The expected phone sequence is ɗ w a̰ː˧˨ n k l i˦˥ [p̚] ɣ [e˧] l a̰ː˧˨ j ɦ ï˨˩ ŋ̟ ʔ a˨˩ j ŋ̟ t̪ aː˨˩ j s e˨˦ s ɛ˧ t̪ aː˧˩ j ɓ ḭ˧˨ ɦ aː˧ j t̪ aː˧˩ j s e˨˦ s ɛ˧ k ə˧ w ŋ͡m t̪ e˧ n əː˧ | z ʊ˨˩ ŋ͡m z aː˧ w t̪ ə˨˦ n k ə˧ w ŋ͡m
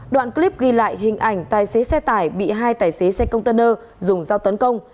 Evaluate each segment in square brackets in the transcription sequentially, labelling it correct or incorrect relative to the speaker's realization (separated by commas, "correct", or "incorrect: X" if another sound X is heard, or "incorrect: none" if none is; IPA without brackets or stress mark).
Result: correct, incorrect: i˧